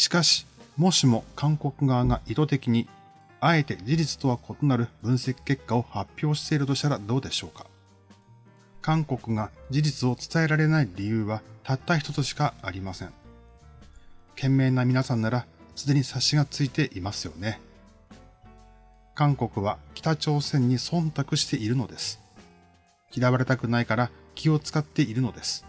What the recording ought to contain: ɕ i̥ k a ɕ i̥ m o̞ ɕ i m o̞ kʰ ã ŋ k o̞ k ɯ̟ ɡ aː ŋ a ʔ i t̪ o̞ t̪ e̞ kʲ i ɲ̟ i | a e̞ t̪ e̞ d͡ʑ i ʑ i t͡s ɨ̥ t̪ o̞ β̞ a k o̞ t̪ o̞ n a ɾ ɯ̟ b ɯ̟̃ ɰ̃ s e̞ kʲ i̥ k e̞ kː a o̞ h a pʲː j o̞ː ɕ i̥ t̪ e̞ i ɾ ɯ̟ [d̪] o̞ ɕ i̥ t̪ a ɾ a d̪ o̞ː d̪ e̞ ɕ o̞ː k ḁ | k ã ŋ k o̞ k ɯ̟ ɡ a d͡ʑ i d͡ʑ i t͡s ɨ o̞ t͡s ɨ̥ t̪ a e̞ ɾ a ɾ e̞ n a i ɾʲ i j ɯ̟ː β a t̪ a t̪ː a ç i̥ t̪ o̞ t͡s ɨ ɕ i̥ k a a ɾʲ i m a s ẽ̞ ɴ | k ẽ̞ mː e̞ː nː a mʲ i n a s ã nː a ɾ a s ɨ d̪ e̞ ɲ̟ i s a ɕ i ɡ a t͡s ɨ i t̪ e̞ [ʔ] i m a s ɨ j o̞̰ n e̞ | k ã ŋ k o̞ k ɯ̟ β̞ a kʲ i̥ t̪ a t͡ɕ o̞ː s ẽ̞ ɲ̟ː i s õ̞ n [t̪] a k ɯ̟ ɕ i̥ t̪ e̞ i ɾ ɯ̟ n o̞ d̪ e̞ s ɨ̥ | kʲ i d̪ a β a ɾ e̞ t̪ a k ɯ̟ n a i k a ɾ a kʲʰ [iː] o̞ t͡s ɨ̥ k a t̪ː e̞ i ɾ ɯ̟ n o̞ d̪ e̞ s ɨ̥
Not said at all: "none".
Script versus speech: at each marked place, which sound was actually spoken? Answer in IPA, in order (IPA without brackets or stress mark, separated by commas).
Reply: t̪, ʔ, t̪, i